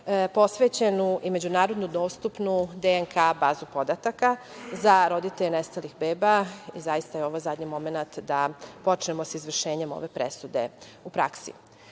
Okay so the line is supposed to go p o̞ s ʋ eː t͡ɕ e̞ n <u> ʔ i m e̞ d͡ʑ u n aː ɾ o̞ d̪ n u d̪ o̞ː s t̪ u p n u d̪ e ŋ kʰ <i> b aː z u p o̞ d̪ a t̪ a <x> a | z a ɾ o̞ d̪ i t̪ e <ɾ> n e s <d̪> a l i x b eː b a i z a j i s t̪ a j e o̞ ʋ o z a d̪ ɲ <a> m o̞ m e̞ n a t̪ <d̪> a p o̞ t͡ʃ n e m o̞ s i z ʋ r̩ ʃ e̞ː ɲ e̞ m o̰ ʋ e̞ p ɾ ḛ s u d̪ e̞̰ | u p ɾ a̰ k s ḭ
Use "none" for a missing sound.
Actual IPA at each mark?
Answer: u, a, k, ʎ, t̪, i, d̪

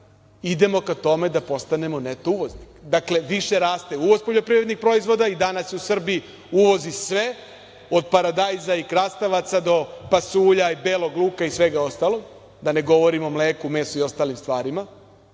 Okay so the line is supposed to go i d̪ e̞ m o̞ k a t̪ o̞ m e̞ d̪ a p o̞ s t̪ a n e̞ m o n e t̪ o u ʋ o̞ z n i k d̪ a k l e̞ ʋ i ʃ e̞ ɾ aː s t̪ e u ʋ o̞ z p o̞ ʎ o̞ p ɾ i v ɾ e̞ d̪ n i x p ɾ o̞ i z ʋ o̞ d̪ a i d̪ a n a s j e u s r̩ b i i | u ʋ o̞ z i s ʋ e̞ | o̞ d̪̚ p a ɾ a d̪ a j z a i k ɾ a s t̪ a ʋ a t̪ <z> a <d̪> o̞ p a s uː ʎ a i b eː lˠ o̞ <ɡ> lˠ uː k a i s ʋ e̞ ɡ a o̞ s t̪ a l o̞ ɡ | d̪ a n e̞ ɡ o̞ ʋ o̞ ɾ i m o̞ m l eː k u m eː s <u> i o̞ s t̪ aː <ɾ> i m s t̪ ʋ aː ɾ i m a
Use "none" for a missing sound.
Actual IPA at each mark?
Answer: s, d̪, ɡ, u, l

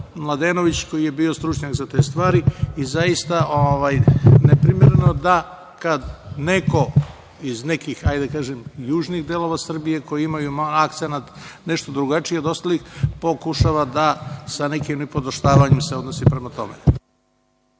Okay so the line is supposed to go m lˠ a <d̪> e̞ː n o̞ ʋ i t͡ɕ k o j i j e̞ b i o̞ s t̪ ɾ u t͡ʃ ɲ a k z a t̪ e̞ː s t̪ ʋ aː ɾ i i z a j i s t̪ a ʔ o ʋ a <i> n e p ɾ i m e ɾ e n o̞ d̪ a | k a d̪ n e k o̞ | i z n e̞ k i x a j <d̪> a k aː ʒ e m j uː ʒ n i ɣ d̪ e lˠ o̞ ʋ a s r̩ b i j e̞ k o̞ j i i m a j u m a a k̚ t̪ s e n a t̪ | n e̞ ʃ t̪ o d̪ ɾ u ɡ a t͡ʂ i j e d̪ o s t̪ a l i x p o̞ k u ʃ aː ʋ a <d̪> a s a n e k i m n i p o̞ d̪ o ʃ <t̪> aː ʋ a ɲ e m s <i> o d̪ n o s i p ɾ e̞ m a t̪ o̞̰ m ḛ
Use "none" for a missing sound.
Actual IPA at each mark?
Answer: d̪, j, d̪, d̪, t̪, e

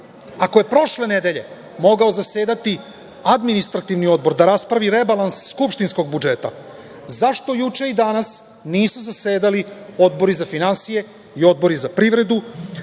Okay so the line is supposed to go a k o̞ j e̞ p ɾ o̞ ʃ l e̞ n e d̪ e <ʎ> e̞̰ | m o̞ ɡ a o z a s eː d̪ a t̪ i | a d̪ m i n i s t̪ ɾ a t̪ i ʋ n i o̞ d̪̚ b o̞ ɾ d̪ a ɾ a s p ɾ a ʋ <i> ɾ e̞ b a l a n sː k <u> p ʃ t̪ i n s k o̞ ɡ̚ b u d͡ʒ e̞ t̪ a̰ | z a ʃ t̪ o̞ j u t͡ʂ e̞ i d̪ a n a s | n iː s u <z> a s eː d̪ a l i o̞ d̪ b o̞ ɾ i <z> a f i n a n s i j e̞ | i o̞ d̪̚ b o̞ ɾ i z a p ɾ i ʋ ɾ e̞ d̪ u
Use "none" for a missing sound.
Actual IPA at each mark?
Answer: ʎ, i, u, z, z

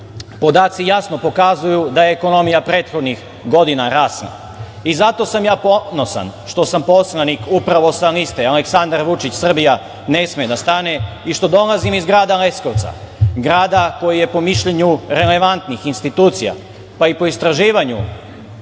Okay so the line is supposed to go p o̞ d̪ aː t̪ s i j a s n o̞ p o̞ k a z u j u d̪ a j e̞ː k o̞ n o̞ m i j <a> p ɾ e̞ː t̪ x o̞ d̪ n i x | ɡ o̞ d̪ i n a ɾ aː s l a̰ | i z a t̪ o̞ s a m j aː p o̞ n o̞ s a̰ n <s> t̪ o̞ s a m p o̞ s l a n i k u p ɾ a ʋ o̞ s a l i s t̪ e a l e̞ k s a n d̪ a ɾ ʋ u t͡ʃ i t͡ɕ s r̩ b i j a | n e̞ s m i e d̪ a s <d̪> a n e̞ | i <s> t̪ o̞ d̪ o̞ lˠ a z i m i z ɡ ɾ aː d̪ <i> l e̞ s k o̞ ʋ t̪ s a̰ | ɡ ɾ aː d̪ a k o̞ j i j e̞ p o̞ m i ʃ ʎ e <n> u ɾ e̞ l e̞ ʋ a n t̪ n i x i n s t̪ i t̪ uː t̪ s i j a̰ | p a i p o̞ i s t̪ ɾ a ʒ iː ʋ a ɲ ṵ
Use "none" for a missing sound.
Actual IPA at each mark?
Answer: a, ʃ, t̪, ʃ, a, ɲ

